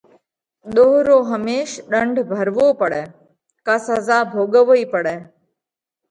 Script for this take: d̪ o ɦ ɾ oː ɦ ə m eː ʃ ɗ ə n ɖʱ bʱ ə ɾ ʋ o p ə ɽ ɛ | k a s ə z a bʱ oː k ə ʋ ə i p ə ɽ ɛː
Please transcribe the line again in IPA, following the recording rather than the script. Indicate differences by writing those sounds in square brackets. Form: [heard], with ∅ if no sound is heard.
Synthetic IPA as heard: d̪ o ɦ ɾ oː ɦ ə m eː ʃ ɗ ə [ɳ] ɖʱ bʱ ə ɾ ʋ o p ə ɽ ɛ | k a s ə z a bʱ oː [ɡ] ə ʋ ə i p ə ɽ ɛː

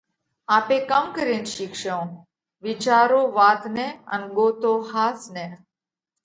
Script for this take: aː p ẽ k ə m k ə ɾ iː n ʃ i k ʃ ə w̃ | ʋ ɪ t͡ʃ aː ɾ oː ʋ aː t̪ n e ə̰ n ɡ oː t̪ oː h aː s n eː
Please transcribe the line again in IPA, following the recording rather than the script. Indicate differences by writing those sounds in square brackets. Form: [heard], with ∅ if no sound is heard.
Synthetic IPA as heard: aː p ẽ k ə m k ə ɾ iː n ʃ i k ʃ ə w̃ | ʋ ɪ t͡ʃ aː ɾ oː ʋ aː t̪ n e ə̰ n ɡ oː t̪ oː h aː s n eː

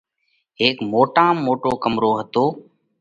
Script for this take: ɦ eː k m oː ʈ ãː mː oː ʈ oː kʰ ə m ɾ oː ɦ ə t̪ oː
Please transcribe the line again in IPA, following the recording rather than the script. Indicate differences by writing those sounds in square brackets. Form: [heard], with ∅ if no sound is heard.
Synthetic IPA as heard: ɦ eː k m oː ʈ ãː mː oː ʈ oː [k] ə m ɾ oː ɦ ə t̪ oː

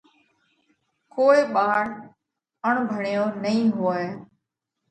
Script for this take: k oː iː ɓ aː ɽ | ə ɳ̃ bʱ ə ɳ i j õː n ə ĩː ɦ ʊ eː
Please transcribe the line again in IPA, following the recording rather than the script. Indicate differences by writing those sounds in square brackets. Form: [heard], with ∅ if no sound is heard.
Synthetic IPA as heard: k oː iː ɓ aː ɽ | ə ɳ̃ bʱ ə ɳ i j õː n ə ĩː ɦ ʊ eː

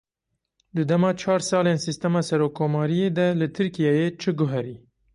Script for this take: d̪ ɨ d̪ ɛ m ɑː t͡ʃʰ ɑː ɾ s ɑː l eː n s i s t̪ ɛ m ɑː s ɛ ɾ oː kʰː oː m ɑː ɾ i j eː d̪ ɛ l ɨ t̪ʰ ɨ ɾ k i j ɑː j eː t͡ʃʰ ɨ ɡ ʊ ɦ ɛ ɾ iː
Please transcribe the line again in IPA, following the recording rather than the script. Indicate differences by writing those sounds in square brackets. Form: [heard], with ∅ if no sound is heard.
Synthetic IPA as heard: d̪ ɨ d̪ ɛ m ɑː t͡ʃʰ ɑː ɾ s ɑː l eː n s i s t̪ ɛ m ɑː s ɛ ɾ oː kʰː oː m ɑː ɾ i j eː d̪ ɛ l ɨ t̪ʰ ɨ ɾ k i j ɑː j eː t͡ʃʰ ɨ ɡ ʊ ɦ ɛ ɾ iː

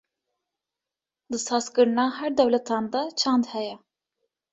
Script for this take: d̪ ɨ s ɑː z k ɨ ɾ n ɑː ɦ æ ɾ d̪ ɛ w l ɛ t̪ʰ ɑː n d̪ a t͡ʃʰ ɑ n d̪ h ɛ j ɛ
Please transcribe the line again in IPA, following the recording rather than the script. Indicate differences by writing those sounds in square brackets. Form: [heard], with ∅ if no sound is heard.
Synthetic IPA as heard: d̪ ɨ s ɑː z k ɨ ɾ n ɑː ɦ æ ɾ d̪ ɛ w l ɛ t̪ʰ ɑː n d̪ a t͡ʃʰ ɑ n d̪ h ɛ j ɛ

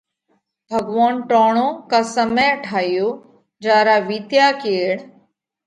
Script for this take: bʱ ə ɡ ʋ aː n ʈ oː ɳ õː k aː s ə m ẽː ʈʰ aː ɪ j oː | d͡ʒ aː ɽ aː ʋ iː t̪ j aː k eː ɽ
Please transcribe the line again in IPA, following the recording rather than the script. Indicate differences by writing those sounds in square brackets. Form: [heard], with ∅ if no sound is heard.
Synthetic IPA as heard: bʱ ə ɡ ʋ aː n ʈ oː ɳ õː k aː s ə m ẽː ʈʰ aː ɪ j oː | d͡ʒ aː [ɾ] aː ʋ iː t̪ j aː k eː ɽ

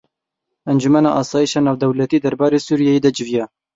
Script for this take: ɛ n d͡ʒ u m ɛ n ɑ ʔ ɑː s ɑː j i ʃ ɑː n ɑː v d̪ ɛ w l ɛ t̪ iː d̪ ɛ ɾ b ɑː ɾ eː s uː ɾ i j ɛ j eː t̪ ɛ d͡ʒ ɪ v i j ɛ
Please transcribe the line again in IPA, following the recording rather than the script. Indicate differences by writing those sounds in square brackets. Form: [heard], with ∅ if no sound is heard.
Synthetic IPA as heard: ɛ n d͡ʒ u m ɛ n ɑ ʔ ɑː s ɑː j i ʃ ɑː n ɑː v d̪ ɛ w l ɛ t̪ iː d̪ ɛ ɾ b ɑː ɾ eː s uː ɾ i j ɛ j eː [d̪] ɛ d͡ʒ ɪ v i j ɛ

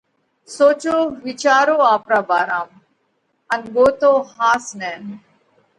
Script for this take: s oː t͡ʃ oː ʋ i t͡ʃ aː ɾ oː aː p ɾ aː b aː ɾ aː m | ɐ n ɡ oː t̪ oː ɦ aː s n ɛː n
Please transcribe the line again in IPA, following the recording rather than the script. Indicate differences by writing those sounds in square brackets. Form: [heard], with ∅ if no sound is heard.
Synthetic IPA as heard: s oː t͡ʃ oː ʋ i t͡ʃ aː ɾ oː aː p ɾ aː b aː ɾ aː m | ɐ n ɡ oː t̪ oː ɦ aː s n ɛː n

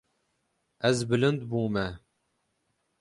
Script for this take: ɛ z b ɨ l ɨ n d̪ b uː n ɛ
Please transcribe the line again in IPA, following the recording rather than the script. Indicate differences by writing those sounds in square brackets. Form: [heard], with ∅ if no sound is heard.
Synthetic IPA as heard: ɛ z b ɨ l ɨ n d̪ b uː [m] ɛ

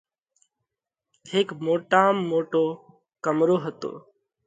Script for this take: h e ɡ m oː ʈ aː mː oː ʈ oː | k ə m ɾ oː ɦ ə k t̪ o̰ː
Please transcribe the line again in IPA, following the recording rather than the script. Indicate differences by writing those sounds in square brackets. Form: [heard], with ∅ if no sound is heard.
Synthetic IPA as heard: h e [k] m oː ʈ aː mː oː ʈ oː | k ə m ɾ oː ɦ ə [∅] t̪ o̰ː

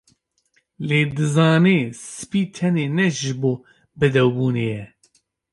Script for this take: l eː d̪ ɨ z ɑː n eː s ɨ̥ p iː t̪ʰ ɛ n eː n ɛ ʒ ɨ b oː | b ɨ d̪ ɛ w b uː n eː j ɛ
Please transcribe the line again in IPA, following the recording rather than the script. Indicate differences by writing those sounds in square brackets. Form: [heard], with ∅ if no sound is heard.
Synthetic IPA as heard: l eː d̪ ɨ z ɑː n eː s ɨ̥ p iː t̪ʰ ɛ n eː n ɛ ʒ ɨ b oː | b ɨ d̪ ɛ w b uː n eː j ɛ

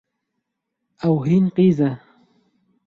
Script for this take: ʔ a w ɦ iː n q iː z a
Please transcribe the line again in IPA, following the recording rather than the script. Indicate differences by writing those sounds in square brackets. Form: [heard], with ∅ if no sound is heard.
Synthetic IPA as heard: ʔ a w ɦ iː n q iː z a

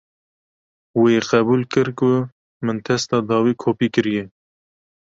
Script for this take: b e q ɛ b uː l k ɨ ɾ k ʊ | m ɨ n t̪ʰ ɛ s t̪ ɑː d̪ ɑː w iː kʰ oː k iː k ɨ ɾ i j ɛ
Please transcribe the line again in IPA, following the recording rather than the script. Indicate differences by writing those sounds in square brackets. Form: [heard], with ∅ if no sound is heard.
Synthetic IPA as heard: [w] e q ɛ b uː l k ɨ ɾ k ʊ | m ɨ n t̪ʰ ɛ s t̪ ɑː d̪ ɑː w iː kʰ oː [p] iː k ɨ ɾ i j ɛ

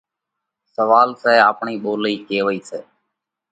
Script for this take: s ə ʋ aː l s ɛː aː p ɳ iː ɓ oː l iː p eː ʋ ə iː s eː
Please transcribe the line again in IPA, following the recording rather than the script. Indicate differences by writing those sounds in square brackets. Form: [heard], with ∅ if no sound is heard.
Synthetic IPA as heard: s ə ʋ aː l s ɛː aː p ɳ iː ɓ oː l iː [k] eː ʋ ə iː s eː

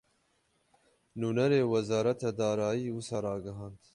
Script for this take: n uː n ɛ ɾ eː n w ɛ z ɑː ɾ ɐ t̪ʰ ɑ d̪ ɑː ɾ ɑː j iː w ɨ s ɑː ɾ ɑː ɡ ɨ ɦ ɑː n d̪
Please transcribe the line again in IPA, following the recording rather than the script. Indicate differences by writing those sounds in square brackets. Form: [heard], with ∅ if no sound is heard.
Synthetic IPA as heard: n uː n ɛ ɾ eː [∅] w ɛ z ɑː ɾ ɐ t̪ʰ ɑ d̪ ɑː ɾ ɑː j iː w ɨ s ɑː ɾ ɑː ɡ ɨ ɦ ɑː n d̪

